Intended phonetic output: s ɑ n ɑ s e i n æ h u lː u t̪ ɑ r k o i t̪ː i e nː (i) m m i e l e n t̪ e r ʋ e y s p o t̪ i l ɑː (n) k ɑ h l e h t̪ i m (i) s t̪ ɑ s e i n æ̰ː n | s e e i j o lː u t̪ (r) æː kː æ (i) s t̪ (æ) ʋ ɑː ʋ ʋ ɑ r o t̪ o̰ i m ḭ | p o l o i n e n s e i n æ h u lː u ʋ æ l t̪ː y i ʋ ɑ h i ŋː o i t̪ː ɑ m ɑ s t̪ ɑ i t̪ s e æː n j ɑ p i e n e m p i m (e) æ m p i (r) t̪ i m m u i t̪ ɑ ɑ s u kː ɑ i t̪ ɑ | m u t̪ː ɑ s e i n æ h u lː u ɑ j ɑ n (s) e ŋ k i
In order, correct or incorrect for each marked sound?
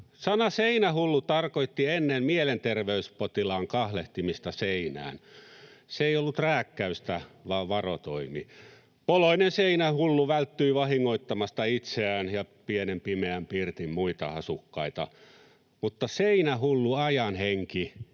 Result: incorrect: e, incorrect: ŋ, correct, correct, incorrect: y, correct, correct, correct, incorrect: h

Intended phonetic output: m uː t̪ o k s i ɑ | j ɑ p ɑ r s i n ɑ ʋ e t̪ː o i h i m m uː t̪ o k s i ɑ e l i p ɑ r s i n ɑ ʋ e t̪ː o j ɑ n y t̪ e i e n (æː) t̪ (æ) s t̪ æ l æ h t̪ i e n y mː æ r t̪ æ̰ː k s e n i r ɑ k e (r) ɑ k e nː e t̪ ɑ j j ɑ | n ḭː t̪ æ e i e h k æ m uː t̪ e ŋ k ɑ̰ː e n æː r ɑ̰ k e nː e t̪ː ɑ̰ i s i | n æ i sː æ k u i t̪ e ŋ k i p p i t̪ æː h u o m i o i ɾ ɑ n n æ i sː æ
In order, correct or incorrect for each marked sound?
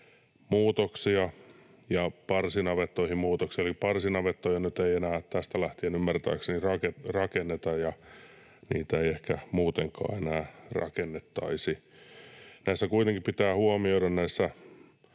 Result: correct, correct, correct

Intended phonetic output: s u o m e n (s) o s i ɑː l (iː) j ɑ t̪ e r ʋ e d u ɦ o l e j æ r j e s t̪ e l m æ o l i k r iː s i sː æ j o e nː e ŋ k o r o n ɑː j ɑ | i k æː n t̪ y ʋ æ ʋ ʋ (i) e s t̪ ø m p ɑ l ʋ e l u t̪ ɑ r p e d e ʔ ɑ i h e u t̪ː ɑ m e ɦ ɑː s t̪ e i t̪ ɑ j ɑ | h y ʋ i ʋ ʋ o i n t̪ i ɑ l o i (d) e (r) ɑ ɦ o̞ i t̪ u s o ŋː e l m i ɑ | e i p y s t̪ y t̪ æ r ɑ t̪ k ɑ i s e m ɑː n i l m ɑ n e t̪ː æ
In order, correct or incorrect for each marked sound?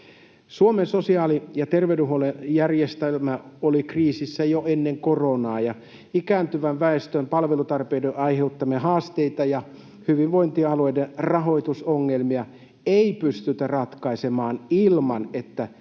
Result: correct, incorrect: i, incorrect: æ, correct, correct

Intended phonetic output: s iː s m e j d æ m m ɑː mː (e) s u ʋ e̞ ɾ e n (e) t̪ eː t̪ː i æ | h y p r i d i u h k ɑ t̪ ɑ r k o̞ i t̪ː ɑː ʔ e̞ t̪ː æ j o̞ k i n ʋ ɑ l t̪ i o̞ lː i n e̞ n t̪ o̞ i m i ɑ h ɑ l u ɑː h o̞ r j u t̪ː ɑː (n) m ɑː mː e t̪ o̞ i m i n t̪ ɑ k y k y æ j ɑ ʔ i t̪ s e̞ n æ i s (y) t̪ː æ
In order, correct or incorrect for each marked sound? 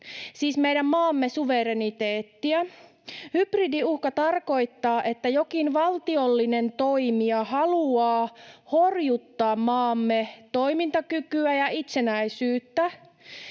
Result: correct, incorrect: i, incorrect: m, incorrect: yː

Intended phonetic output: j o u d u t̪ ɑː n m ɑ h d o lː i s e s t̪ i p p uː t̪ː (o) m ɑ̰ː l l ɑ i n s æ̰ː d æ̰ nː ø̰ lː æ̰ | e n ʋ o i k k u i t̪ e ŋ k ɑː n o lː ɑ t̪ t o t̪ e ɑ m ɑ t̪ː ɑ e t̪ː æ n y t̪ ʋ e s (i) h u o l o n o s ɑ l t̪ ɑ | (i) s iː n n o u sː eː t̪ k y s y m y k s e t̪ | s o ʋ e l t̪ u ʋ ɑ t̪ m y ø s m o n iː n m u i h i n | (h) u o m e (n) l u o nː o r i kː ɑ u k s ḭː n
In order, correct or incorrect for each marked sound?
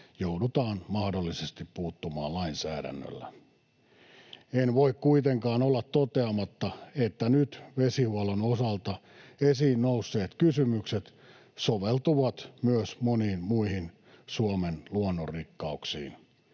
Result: incorrect: u, correct, incorrect: e, incorrect: s, correct

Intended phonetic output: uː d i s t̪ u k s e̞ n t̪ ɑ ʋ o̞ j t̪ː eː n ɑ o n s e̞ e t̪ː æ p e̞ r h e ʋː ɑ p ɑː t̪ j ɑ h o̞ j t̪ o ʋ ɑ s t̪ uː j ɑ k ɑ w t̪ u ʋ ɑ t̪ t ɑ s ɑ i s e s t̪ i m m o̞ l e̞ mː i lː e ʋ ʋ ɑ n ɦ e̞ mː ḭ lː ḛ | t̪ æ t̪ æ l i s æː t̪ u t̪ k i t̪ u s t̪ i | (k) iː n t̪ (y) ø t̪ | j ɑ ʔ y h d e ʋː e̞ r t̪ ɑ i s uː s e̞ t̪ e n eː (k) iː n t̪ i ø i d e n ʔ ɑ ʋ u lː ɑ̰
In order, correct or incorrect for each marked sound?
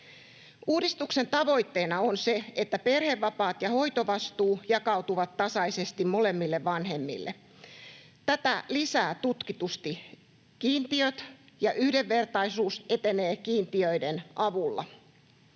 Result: correct, incorrect: i, correct

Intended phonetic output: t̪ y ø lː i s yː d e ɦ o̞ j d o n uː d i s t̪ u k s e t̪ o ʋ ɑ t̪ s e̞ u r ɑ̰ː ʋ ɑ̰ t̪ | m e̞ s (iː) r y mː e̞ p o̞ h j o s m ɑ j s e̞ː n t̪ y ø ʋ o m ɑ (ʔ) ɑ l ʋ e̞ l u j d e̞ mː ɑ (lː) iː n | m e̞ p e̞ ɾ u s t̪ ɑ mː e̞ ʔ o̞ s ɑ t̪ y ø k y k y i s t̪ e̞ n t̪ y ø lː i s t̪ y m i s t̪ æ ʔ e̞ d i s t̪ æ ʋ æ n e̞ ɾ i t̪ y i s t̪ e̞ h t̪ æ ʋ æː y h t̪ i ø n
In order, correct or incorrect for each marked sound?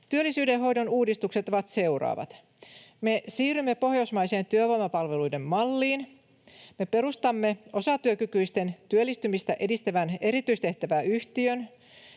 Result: correct, incorrect: p, correct

